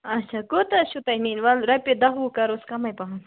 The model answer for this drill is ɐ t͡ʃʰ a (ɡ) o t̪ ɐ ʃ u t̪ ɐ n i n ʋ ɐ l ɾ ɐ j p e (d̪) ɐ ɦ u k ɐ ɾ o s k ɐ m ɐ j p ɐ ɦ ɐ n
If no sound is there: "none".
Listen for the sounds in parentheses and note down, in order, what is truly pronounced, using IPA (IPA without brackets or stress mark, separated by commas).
k, d̪